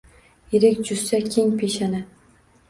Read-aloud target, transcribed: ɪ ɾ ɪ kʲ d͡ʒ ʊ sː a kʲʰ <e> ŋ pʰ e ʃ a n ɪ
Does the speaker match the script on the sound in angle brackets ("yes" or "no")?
yes